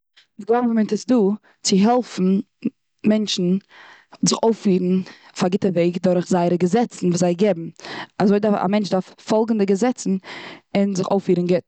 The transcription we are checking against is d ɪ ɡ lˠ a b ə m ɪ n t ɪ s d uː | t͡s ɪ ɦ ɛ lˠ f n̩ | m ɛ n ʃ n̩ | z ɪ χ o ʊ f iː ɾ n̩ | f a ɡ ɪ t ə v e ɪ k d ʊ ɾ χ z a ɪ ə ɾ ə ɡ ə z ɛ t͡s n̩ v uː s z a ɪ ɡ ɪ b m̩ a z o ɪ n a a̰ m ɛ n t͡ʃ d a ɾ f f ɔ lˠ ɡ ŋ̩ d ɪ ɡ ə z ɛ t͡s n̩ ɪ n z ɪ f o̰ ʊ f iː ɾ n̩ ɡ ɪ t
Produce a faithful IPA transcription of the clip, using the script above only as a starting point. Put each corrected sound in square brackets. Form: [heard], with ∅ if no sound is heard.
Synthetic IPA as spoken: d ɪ ɡ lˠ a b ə m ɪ n t ɪ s d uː | t͡s ɪ ɦ ɛ lˠ f n̩ | m ɛ n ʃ n̩ | z ɪ χ o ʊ f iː ɾ n̩ | f a ɡ ɪ t ə v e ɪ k d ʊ ɾ χ z a ɪ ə ɾ ə ɡ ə z ɛ t͡s n̩ v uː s z a ɪ ɡ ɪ b m̩ a z o ɪ [d] a a̰ m ɛ n t͡ʃ d a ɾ f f ɔ lˠ ɡ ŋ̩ d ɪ ɡ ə z ɛ t͡s n̩ ɪ n z ɪ [χ] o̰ ʊ f iː ɾ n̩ ɡ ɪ t